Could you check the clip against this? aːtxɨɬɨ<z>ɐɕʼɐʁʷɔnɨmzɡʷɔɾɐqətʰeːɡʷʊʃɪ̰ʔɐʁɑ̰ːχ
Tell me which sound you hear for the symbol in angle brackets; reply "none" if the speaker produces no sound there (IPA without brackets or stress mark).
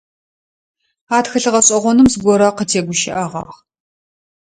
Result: ʁ